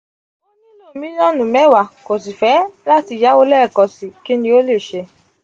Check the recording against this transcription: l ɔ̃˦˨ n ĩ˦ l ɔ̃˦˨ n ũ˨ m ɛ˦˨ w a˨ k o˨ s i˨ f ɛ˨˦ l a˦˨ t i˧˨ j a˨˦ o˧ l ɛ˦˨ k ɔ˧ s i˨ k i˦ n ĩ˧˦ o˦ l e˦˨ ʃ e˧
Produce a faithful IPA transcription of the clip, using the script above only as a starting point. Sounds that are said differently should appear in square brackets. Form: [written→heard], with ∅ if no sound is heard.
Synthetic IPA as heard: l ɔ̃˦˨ [n→m] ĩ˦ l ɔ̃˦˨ n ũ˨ m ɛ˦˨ w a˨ k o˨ s i˨ f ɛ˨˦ l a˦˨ t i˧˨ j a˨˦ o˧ l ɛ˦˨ k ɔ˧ s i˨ k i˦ n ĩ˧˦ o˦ l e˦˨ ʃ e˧